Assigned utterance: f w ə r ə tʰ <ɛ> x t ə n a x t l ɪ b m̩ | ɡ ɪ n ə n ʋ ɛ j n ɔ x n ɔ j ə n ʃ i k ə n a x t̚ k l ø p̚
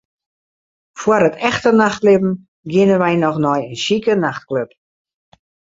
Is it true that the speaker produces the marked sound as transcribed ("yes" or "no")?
yes